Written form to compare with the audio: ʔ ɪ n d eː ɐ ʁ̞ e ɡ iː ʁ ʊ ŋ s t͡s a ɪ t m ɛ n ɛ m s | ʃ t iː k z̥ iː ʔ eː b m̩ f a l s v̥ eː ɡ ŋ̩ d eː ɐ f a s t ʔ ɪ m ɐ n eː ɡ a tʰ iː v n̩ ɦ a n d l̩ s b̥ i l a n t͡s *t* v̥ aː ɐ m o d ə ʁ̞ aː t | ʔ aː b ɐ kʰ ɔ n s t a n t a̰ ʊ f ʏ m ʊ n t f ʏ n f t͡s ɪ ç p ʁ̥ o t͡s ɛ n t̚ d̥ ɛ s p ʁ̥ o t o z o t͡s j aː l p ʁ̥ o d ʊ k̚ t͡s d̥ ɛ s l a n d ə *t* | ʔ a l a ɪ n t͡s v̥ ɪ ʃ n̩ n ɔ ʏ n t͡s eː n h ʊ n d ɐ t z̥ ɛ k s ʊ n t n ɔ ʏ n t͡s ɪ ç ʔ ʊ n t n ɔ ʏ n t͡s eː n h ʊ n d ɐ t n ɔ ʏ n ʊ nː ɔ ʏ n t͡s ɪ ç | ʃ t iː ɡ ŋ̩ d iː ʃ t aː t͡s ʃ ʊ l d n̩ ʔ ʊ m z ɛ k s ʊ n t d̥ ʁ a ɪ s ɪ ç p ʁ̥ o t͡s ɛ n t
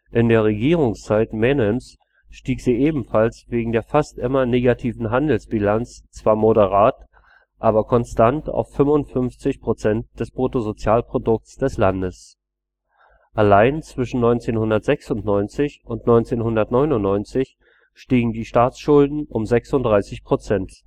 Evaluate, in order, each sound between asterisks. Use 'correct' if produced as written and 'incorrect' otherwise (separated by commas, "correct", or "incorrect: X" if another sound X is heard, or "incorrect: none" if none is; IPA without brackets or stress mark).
incorrect: t͡s, incorrect: s